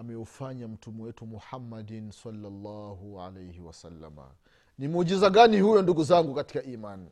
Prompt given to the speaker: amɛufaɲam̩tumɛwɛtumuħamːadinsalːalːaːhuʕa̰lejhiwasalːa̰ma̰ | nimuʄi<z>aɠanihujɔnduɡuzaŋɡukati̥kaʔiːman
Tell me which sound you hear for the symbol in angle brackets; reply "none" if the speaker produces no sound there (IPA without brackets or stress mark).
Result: z